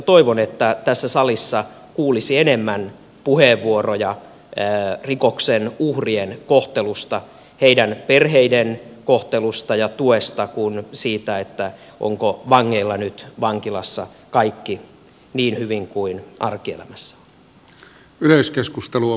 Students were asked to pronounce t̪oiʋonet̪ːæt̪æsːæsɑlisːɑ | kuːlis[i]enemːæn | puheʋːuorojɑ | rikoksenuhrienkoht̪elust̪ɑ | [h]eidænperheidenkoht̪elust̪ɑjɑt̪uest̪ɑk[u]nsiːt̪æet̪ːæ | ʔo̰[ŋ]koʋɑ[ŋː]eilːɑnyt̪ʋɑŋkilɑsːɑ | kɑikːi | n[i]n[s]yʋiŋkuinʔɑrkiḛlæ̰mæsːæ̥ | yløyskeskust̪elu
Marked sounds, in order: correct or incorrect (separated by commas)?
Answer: correct, correct, correct, correct, correct, incorrect, incorrect